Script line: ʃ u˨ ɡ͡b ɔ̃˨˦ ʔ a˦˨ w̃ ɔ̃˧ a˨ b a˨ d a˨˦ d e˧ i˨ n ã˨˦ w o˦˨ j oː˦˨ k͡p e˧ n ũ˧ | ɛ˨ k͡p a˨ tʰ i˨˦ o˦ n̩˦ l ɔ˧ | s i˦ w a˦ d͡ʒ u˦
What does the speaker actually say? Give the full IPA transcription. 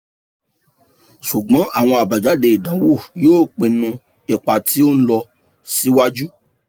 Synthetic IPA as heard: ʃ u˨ ɡ͡b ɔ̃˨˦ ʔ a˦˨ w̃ ɔ̃˧ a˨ b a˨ d͡ʒ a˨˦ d e˧ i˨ d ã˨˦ w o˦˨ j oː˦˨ k͡p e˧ n ũ˧ | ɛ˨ k͡p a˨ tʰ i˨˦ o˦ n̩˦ l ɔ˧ | s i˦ w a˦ d͡ʒ u˦